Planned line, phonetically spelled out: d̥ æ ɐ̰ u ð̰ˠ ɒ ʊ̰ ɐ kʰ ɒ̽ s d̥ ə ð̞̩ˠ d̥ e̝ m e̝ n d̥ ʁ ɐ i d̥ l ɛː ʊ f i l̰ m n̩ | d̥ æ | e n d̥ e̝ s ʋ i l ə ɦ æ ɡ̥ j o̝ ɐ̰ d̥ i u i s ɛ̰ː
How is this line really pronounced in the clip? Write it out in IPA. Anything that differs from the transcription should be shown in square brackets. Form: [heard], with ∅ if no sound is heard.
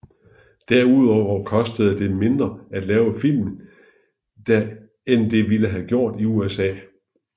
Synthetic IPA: d̥ æ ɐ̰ u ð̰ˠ ɒ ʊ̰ ɐ kʰ ɒ̽ s d̥ ə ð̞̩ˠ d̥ e̝ m e̝ n d̥ ʁ ɐ [æ] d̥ l ɛː ʊ f i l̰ m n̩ | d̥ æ | e n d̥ e̝ [∅] ʋ i l ə ɦ æ ɡ̥ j o̝ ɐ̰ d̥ i u [e] s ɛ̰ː

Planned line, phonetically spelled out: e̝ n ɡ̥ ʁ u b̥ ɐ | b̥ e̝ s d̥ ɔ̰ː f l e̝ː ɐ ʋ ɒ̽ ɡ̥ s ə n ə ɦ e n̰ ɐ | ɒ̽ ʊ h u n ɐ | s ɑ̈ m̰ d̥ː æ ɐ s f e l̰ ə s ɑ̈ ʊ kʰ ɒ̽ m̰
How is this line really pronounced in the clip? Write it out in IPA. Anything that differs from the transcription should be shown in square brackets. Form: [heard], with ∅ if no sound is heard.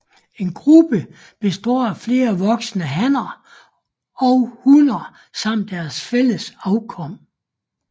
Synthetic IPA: e̝ n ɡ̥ ʁ u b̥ [ə] | b̥ e̝ s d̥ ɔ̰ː f l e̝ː ɐ ʋ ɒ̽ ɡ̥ s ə n ə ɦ [æ] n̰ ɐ | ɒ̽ ʊ h u n ɐ | s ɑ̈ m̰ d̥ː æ ɐ s f e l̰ ə s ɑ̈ ʊ kʰ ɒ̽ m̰

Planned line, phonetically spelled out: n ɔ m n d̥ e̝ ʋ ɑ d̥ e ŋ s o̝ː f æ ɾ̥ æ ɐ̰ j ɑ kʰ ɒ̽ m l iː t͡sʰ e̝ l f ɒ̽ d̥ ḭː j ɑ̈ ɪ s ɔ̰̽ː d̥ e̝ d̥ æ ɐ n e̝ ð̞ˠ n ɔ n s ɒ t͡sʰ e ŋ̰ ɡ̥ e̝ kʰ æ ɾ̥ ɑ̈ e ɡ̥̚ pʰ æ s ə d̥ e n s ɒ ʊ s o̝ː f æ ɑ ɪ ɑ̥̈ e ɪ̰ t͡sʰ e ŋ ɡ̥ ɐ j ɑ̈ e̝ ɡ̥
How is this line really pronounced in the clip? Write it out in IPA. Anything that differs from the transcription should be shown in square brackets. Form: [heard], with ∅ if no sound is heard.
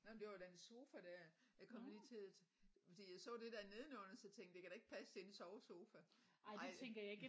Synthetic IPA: n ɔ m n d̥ e̝ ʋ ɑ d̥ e [n] s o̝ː f æ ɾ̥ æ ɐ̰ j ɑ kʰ ɒ̽ m l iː t͡sʰ e̝ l f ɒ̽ d̥ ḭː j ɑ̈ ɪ s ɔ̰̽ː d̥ e̝ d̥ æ ɐ n e̝ ð̞ˠ n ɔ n s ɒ t͡sʰ e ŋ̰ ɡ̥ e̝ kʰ æ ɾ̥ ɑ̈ e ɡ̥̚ pʰ æ s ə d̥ e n s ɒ ʊ s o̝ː f æ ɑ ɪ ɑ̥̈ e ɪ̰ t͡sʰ e ŋ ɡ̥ ɐ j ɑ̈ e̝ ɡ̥

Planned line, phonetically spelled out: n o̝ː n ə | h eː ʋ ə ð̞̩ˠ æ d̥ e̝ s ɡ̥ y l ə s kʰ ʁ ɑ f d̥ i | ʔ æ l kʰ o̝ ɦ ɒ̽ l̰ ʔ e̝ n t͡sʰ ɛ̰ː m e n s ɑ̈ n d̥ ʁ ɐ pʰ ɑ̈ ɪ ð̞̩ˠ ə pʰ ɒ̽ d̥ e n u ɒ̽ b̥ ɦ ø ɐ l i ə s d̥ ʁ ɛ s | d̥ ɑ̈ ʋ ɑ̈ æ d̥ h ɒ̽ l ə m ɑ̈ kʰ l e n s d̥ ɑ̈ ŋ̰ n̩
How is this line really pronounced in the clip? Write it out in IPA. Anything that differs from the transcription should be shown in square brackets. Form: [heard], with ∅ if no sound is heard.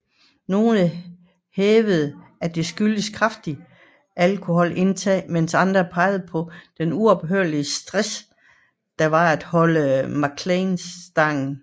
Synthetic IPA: n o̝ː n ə | h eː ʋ ə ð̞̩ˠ æ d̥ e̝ s ɡ̥ y l ə s kʰ ʁ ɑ f d̥ i | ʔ æ l kʰ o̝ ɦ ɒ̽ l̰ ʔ e̝ n t͡sʰ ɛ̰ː m e n s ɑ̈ n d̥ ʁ ɐ pʰ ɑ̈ ɪ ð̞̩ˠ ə pʰ ɒ̽ d̥ e n u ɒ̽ b̥ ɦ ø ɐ l i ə s d̥ ʁ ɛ s | d̥ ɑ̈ ʋ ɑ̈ æ d̥ h ɒ̽ l ə m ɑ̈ kʰ l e n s d̥ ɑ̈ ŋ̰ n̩

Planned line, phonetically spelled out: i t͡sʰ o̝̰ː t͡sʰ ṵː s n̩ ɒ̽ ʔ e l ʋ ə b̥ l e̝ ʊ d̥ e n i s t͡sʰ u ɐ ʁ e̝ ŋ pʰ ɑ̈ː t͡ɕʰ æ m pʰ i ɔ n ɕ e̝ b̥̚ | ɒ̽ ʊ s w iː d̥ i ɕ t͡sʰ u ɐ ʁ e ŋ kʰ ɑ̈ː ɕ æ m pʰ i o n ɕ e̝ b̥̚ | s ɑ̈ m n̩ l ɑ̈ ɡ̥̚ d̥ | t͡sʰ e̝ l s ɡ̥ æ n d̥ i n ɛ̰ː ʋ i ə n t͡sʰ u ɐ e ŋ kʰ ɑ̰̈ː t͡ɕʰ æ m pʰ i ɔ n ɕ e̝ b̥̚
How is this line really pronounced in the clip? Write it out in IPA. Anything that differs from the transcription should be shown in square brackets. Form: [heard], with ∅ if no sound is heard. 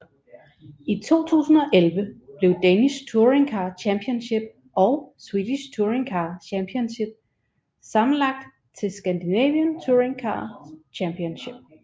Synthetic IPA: i t͡sʰ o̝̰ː t͡sʰ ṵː s n̩ ɒ̽ ʔ e l ʋ ə b̥ l e̝ ʊ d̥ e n i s t͡sʰ u ɐ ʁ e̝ ŋ [kʰ] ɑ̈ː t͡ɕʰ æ m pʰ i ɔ n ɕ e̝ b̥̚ | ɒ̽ ʊ s w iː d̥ i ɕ t͡sʰ u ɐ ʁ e ŋ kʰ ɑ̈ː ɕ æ m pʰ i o n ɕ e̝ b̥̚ | s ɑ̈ m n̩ l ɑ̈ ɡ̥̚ d̥ | t͡sʰ e̝ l s ɡ̥ æ n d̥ i n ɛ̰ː ʋ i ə n t͡sʰ u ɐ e ŋ kʰ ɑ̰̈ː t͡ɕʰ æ m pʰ i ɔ n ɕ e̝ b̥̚

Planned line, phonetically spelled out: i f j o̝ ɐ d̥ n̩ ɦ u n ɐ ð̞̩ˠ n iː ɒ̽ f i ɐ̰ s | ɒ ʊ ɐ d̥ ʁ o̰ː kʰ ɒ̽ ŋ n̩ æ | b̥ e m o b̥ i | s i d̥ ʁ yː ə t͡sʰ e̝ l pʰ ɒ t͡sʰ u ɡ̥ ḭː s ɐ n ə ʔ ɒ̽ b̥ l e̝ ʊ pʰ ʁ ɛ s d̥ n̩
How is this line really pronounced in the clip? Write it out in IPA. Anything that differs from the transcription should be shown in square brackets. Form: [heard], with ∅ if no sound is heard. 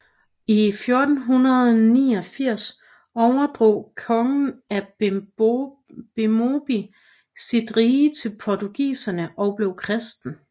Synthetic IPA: i f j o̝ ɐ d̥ n̩ ɦ u n ɐ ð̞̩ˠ n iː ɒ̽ f i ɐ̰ s | ɒ ʊ ɐ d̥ ʁ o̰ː kʰ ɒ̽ ŋ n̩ æ | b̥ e m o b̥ i | s i d̥ ʁ [iː] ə t͡sʰ e̝ l pʰ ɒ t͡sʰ u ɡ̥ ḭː s ɐ n ə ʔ ɒ̽ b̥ l e̝ ʊ [kʰ] ʁ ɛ s d̥ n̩

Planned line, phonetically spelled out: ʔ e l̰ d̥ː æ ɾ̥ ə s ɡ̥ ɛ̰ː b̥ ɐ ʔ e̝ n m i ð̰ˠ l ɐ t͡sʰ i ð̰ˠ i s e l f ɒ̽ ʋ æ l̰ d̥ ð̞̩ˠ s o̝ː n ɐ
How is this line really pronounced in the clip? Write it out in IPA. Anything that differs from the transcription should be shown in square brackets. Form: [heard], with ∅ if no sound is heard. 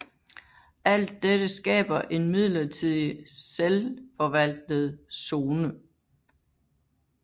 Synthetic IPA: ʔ [æ] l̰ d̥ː [e] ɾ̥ ə s ɡ̥ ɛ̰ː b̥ ɐ ʔ e̝ n m i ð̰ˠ l ɐ t͡sʰ i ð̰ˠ i s e l f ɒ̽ ʋ æ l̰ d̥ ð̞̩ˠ s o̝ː n [ə]

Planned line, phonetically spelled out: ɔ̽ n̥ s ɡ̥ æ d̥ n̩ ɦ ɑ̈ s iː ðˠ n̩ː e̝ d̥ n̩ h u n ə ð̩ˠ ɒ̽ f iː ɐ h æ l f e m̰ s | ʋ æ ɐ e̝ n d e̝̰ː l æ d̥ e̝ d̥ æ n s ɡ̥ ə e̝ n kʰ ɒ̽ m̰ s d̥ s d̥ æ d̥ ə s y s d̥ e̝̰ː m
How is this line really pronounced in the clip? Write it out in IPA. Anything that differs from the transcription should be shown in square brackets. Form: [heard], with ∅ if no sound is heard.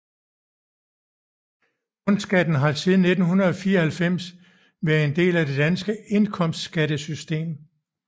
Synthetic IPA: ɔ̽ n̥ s ɡ̥ æ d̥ n̩ ɦ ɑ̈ s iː ðˠ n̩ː e̝ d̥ n̩ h u n [ɐ] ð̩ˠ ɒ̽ f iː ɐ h æ l f e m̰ s | ʋ æ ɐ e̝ n d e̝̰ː l æ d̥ e̝ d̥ æ n s ɡ̥ ə e̝ n kʰ ɒ̽ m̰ s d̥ s [ɡ̥] æ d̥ ə s y s d̥ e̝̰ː m

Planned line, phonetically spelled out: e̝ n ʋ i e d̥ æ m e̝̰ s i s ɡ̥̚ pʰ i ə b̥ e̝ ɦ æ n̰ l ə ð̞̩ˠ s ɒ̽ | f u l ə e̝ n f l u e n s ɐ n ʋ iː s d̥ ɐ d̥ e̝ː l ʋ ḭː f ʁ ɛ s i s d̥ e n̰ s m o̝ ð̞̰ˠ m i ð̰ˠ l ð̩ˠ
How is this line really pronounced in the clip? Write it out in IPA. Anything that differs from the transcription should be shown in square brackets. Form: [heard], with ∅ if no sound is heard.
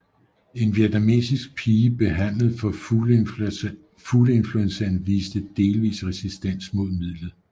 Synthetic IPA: e̝ n ʋ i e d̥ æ m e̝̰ s i s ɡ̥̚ pʰ [iː] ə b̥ e̝ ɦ æ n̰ l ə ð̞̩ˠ [f] ɒ̽ | f u l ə e̝ n f l u e n s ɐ n ʋ iː s d̥ [ə] d̥ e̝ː l ʋ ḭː [s] ʁ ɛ s i s d̥ e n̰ s m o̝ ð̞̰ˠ m i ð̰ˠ l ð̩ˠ

